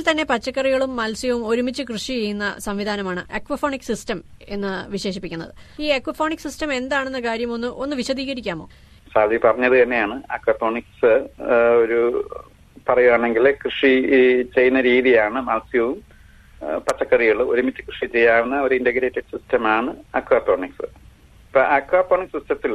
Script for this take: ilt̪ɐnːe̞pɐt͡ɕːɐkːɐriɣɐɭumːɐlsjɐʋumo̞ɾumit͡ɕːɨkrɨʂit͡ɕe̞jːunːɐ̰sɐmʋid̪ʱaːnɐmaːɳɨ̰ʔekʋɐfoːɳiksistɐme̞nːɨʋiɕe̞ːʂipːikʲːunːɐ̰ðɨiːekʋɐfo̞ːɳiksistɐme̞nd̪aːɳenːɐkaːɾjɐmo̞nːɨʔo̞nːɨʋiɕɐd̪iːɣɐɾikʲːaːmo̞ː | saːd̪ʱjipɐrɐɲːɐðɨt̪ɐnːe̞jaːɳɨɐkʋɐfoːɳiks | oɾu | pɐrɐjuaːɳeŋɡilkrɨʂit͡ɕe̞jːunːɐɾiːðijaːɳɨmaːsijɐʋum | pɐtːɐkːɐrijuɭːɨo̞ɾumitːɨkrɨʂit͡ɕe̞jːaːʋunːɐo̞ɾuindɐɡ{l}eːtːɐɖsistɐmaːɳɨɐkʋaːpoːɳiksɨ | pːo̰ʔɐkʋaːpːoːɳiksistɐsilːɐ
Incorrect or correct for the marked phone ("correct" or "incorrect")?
incorrect